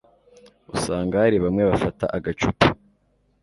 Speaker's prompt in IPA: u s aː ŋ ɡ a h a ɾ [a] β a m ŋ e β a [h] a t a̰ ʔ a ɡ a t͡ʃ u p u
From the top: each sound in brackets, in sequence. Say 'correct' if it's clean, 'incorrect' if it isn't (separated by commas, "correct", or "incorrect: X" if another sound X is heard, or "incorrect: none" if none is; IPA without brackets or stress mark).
incorrect: i, incorrect: f